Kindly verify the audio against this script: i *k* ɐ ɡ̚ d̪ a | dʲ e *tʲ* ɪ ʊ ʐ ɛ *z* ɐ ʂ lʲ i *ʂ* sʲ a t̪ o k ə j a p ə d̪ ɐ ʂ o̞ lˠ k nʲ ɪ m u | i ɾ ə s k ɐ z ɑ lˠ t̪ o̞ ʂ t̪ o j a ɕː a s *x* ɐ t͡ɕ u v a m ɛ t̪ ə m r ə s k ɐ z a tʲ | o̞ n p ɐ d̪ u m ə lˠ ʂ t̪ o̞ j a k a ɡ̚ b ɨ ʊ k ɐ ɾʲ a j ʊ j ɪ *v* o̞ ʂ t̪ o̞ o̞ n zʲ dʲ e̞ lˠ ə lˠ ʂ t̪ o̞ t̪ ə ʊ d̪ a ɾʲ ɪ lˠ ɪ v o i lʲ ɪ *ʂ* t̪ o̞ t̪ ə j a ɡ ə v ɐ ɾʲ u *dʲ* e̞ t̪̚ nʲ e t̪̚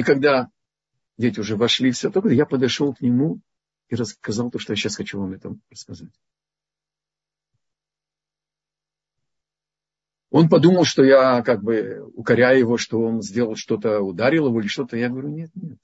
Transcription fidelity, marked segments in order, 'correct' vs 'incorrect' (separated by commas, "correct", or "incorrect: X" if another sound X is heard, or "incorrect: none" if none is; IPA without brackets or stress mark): correct, correct, incorrect: v, incorrect: f, correct, correct, correct, incorrect: nʲ